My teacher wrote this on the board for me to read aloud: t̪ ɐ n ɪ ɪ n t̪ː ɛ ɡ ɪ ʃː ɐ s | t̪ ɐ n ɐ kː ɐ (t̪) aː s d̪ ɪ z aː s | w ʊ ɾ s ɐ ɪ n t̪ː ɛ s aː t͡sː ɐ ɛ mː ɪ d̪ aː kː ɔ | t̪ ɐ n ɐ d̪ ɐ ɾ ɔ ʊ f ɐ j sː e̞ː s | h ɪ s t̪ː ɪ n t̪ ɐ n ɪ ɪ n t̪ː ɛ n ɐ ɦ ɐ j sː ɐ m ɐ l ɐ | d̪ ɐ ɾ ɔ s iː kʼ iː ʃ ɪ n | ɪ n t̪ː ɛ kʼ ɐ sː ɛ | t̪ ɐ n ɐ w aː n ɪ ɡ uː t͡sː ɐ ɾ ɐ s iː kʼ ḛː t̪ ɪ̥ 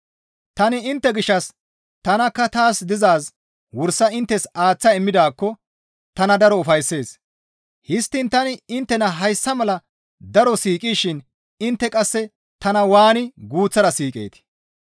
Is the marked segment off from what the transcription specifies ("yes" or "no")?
no